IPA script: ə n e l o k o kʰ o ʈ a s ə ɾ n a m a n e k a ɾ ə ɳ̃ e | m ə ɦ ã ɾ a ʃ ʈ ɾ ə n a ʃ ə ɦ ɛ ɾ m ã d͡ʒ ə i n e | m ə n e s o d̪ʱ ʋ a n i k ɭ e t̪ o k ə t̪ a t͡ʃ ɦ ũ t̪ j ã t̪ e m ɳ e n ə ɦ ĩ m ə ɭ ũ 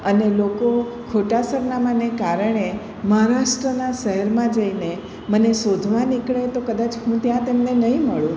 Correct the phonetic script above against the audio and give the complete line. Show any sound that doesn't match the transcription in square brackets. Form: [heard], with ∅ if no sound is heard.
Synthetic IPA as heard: ə n e l o k o kʰ o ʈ a s ə ɾ n a m a n e k a ɾ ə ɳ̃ e | m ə ɦ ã ɾ a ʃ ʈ ɾ ə n a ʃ ə ɦ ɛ ɾ m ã d͡ʒ ə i n e | m ə n e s o d̪ʱ ʋ a n i k ɭ e t̪ o k ə [d̪] a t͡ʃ ɦ ũ t̪ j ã t̪ e m [n] e n ə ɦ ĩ m ə ɭ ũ